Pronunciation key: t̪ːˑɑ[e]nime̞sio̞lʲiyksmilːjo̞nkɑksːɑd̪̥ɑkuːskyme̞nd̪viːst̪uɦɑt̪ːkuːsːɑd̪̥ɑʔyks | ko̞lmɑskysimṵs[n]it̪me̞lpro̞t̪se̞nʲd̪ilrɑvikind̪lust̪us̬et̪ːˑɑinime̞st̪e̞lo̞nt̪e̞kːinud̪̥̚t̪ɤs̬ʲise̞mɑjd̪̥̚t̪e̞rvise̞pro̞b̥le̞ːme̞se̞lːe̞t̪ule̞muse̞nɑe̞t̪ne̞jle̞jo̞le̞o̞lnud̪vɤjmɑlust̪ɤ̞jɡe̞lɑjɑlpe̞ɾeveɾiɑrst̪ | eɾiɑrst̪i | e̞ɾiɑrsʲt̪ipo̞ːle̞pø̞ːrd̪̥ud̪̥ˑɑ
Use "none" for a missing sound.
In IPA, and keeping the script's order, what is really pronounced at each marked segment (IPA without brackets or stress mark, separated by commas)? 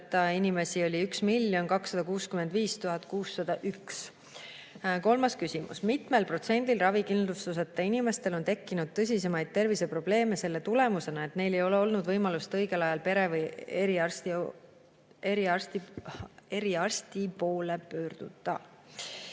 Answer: i, m